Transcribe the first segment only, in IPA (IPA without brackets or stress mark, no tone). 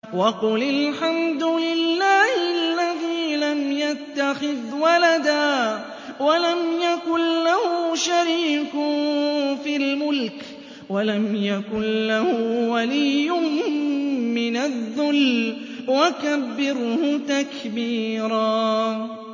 w